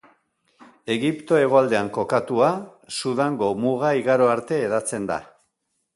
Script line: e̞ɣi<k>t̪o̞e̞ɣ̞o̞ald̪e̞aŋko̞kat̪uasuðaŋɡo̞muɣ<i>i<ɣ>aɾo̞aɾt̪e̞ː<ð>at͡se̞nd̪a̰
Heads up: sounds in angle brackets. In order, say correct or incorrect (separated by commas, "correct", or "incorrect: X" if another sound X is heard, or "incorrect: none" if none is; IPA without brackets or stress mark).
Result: incorrect: p, incorrect: a, correct, correct